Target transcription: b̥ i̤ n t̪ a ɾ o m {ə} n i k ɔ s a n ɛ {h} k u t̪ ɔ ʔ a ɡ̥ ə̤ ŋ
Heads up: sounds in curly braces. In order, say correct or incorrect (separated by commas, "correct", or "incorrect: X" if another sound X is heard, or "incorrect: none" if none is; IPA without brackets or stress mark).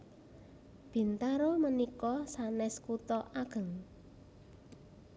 correct, incorrect: s